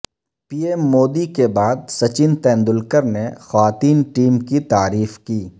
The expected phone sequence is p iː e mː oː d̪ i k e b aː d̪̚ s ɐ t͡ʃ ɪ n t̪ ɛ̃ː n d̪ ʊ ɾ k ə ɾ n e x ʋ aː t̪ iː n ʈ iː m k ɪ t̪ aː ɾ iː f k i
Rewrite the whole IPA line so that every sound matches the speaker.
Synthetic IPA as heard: p iː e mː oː d̪ i k e b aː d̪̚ s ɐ t͡ʃ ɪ n t̪ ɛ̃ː n d̪ ʊ l k ə ɾ n e x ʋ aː t̪ iː n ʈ iː m k i t̪ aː ɾ iː f k iː